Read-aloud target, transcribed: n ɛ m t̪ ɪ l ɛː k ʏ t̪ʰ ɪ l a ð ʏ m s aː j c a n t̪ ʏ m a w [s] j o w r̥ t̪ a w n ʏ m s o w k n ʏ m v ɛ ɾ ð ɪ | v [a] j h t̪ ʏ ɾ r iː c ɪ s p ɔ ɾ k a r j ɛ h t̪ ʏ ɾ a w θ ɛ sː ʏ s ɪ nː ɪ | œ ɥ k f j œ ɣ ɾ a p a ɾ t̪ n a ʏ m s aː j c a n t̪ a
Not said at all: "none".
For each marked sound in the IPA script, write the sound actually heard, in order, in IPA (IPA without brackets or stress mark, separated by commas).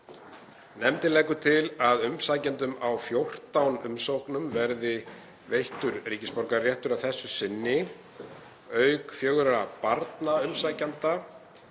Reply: f, e